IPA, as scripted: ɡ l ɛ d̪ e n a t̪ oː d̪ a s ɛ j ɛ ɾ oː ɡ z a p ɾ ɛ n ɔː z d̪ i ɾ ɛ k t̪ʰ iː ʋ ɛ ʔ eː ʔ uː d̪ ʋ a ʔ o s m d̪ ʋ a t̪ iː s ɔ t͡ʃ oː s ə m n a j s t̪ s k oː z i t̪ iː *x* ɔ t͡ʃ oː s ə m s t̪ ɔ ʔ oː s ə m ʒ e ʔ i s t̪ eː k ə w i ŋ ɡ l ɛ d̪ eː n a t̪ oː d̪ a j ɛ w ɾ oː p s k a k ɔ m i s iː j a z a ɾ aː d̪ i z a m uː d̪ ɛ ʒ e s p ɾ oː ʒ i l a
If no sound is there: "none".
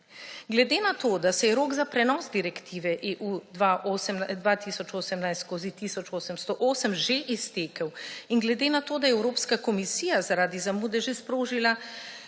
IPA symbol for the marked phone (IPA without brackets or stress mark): s